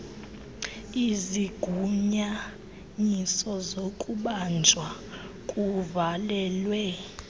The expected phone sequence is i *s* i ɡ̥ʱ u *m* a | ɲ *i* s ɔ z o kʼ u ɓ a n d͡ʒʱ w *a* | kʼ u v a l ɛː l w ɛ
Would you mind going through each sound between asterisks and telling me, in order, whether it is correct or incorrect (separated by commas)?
incorrect, incorrect, correct, correct